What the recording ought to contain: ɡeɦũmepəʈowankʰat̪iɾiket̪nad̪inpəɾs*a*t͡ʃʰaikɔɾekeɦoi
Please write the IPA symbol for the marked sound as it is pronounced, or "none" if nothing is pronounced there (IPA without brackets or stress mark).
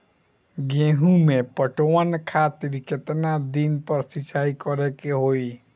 i